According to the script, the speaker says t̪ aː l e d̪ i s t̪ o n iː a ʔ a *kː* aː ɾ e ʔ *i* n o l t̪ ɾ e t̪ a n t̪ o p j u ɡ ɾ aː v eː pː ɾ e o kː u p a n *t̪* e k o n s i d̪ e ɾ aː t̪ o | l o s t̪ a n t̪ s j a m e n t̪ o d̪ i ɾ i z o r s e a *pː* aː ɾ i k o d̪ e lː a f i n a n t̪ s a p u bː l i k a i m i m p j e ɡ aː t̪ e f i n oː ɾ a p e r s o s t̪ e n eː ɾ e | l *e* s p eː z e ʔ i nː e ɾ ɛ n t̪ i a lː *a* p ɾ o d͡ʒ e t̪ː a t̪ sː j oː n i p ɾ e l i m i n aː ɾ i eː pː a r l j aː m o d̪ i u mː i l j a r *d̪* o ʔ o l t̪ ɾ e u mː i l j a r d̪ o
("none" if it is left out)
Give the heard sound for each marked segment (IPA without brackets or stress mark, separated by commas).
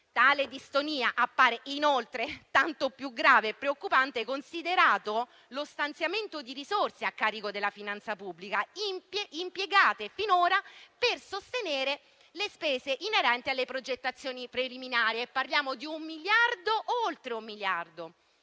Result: pː, i, t̪, kː, e, e, d̪